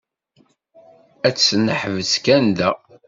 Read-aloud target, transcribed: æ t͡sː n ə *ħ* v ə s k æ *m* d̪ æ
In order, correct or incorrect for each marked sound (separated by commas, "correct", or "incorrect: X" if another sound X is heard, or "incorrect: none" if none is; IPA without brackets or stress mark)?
correct, incorrect: n